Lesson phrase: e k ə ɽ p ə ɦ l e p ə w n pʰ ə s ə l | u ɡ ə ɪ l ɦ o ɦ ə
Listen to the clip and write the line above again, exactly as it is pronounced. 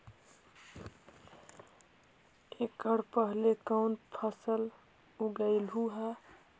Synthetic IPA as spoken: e k ə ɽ p ə ɦ l e k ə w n pʰ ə s ə l | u ɡ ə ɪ l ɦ u ɦ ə